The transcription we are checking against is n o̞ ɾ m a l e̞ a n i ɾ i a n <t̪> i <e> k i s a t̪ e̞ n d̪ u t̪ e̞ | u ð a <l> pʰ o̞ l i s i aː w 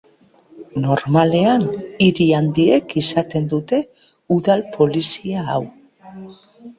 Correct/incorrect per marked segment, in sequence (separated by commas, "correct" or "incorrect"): incorrect, correct, correct